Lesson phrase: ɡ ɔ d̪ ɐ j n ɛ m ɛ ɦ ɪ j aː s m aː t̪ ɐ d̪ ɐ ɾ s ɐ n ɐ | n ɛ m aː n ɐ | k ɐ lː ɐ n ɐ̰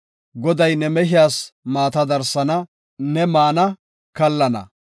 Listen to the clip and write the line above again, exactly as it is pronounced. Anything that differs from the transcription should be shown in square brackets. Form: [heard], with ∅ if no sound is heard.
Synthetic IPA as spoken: ɡ ɔ d̪ ɐ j n ɛ m ɛ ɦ ɪ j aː s m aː t̪ ɐ d̪ ɐ ɾ s ɐ n ɐ | n ɛ m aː n ɐ | k ɐ lː ɐ n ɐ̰